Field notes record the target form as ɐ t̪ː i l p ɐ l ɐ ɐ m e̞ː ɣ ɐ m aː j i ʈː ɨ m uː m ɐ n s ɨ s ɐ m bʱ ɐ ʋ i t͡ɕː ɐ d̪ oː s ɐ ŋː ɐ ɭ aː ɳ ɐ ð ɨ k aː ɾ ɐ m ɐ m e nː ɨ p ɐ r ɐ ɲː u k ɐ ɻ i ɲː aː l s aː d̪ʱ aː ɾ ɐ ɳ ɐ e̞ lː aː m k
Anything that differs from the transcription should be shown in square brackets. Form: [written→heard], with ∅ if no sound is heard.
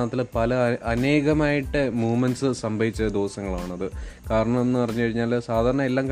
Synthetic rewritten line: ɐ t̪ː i l p ɐ l ɐ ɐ [m→n] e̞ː ɣ ɐ m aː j i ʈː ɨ m uː m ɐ n s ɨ s ɐ m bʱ ɐ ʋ i t͡ɕː ɐ d̪ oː s ɐ ŋː ɐ ɭ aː ɳ ɐ ð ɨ k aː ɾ ɐ [m→ɳ] ɐ m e nː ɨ p ɐ r ɐ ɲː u k ɐ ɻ i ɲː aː l s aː d̪ʱ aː ɾ ɐ ɳ ɐ e̞ lː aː m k